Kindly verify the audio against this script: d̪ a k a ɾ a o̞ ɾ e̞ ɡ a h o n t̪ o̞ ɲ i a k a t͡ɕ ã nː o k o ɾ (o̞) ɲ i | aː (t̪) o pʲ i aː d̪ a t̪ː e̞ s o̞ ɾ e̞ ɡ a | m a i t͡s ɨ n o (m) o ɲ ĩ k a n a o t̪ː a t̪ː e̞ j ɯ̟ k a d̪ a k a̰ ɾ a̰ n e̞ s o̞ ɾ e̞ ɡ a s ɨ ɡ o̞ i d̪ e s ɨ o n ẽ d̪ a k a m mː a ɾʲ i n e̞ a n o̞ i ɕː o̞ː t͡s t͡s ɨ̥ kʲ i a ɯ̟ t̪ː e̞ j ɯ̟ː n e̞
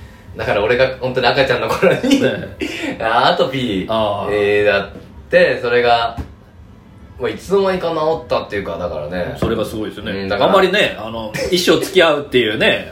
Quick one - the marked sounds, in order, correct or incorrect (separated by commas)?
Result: correct, correct, correct